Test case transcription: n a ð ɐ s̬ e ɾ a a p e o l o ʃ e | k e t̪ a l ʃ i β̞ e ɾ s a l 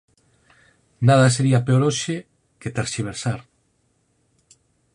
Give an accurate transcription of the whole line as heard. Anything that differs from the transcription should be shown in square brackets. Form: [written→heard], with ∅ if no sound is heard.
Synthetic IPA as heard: n a ð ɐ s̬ e ɾ [a→i] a p e o [l→ɾ] o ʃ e | k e t̪ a [l→ɾ] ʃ i β̞ e ɾ s a [l→ɾ]